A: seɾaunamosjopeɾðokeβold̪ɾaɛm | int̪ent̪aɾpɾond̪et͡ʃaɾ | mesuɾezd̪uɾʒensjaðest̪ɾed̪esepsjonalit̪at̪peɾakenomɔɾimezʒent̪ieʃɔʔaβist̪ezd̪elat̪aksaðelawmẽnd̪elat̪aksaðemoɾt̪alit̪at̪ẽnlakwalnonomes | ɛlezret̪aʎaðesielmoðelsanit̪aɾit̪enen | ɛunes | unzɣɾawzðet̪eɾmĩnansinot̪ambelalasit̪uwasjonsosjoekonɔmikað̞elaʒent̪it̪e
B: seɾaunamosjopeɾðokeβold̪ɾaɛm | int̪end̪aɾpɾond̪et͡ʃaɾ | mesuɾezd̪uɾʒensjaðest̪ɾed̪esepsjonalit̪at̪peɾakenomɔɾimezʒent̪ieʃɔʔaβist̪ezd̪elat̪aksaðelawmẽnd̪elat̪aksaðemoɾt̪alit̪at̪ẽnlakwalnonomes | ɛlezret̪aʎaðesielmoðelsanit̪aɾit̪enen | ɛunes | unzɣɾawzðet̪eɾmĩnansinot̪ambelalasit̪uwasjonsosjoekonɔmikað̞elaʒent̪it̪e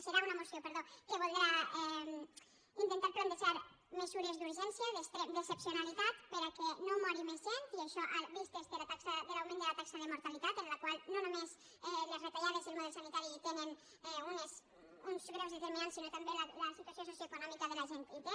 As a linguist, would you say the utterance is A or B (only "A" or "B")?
A